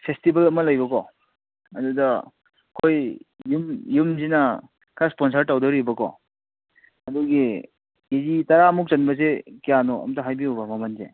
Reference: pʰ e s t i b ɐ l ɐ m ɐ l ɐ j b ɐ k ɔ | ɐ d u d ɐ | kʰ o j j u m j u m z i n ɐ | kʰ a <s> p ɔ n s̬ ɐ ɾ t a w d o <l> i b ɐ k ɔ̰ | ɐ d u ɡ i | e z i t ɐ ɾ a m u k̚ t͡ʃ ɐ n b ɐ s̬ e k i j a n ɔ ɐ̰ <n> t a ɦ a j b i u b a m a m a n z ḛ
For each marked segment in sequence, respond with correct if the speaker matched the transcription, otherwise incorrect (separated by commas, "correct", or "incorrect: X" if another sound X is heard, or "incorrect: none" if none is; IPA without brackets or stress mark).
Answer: correct, incorrect: ɾ, incorrect: m